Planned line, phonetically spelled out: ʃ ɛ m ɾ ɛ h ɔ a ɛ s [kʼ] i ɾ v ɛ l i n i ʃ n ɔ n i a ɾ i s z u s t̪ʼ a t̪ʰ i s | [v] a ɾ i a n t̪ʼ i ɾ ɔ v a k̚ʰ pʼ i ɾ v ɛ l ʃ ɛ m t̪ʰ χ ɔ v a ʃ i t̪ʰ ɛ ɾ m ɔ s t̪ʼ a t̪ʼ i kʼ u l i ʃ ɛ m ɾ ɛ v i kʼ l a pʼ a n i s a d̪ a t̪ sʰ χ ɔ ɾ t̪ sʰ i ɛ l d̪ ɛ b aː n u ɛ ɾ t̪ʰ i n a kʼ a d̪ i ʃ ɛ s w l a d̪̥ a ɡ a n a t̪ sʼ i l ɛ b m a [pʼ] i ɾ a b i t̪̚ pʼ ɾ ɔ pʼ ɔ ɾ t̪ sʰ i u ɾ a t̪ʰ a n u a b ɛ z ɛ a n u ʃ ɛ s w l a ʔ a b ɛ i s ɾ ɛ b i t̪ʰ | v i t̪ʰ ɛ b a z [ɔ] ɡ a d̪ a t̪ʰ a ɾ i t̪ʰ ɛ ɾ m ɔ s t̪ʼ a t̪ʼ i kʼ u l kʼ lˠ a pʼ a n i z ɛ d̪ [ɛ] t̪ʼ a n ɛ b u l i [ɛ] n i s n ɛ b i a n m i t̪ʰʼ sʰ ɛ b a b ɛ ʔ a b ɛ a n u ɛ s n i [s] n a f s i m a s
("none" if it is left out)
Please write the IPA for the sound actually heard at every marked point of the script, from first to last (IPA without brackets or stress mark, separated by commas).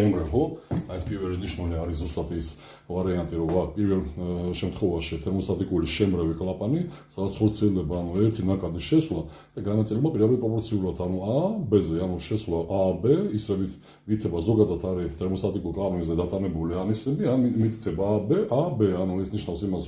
pʼ, v, pʼ, ɔ, a, a, ʃ